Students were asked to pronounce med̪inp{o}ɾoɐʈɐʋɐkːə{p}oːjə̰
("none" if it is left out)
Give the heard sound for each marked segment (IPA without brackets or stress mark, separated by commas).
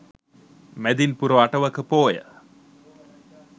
u, p